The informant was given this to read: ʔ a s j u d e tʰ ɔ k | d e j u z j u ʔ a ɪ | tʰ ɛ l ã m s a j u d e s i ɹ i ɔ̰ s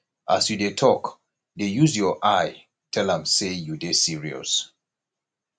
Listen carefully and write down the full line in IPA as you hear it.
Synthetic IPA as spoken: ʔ a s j u d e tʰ ɔ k | d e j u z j ɔ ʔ a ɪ | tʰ ɛ l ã m s e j u d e s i ɹ i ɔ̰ s

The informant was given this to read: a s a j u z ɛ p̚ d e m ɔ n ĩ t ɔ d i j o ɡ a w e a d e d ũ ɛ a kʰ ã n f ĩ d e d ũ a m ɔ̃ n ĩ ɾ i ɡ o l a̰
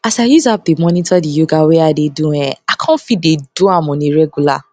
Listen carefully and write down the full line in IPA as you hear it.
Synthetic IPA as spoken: a s a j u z a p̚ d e m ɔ n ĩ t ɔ d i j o ɡ a w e a d e d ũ ɛ a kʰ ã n f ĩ d e d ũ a m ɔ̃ n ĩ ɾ ɛ ɡ u l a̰

